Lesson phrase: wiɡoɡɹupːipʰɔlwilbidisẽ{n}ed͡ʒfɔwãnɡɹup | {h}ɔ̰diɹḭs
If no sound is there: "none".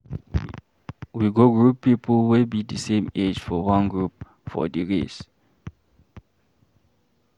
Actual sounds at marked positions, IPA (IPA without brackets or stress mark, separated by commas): m, f